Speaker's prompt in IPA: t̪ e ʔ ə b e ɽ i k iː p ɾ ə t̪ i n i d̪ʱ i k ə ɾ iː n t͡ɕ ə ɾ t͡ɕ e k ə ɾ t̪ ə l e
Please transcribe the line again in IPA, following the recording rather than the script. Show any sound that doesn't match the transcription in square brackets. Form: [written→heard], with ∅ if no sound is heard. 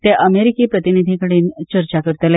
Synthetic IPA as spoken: t̪ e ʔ ə [b→m] e [ɽ→ɾ] i k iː p ɾ ə t̪ i n i d̪ʱ i k ə [ɾ→ɽ] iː n t͡ɕ ə ɾ t͡ɕ [e→a] k ə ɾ t̪ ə l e